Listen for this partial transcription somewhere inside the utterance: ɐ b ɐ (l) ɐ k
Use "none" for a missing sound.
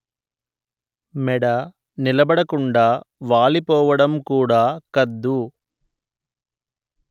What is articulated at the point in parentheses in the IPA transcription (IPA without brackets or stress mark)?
ɽ